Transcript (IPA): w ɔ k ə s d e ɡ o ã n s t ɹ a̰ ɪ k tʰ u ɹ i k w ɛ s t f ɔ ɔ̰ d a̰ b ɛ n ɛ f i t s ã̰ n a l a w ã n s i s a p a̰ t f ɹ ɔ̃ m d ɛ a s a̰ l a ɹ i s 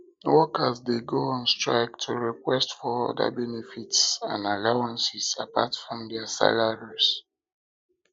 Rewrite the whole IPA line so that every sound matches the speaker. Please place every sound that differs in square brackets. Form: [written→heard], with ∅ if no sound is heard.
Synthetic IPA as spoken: w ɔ k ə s d e ɡ o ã n s t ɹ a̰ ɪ k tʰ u ɹ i k w ɛ s t f ɔ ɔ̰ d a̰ b ɛ n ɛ f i t s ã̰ n a l a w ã n s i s a p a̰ t f ɹ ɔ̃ m d ɛ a s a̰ l a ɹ i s